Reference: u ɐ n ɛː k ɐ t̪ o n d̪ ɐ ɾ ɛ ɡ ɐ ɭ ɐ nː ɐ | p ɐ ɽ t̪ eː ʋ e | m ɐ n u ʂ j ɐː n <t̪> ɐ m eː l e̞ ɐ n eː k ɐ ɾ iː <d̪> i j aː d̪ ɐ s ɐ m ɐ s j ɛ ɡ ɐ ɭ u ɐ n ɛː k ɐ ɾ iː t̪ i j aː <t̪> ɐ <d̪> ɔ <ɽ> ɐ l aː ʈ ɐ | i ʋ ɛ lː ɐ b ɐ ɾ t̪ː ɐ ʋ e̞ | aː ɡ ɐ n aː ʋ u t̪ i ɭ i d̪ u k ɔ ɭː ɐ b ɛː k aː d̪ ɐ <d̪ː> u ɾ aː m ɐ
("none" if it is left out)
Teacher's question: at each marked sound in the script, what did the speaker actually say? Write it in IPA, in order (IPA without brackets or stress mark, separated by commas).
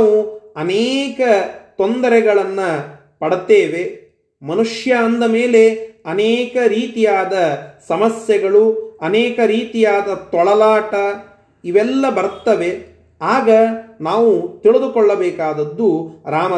d̪, t̪, d̪, t̪, ɭ, d̪ː